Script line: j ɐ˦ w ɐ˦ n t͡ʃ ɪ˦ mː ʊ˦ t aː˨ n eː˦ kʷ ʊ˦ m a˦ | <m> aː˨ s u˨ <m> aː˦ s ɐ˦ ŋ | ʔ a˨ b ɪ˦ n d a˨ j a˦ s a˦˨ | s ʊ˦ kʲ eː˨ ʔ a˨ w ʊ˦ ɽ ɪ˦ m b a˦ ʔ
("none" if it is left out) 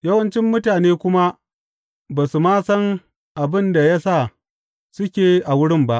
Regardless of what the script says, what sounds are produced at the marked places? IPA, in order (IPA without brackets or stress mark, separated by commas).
b, m